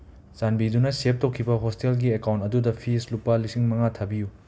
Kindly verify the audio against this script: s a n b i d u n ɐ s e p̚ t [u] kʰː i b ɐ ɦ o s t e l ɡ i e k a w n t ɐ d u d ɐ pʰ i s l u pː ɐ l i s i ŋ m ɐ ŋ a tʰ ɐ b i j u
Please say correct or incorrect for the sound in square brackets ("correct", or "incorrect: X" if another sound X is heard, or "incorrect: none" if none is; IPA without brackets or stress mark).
incorrect: o